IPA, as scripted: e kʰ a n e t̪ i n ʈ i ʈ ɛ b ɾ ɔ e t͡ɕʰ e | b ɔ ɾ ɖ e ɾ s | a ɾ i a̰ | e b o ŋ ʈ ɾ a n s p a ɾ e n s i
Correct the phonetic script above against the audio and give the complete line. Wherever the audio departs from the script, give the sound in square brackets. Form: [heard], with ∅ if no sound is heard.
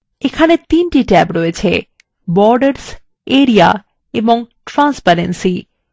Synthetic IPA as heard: e kʰ a n e t̪ i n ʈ i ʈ ɛ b ɾ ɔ e t͡ɕʰ e | b ɔ ɾ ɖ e ɾ s | [e] ɾ i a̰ | e b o ŋ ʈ ɾ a n s p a ɾ e n s i

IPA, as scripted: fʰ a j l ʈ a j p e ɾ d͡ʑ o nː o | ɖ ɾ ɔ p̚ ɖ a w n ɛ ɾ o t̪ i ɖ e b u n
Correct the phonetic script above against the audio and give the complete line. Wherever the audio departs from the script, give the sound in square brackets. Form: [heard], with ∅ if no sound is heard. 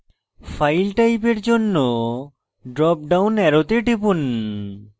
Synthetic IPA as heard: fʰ a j l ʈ a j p e ɾ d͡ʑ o nː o | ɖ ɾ ɔ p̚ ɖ a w n ɛ ɾ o t̪ [e] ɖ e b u n

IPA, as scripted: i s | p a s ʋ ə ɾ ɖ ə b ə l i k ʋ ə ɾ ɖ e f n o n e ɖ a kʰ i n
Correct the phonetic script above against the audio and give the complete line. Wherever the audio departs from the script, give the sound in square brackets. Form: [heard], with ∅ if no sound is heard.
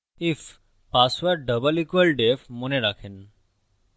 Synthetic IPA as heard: i [f] | p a s ʋ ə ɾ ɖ ə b ə l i k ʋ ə [l] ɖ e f [m] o n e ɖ a kʰ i n

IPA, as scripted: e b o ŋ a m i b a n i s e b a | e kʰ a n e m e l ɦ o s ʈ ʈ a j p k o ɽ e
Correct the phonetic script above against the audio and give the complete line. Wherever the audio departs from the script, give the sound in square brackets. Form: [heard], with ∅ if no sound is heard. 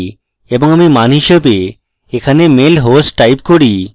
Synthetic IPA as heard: e b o ŋ a m i [m] a n i [ʃ] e b [e] | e kʰ a n e m e l ɦ o s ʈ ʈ a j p k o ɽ [i]

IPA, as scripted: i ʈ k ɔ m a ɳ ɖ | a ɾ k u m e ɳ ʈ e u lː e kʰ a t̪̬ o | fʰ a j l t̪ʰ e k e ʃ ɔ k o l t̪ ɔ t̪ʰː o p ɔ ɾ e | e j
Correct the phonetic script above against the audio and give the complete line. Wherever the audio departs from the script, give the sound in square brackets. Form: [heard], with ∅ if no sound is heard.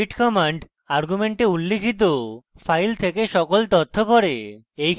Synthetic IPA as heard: i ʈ k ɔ m a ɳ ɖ | a ɾ [ɡ] u m e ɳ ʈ e u lː e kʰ [i] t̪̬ o | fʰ a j l t̪ʰ e k e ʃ ɔ k o l t̪ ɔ t̪ʰː o p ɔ ɾ e | e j

